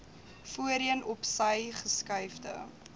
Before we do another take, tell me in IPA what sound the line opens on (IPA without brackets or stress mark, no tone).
f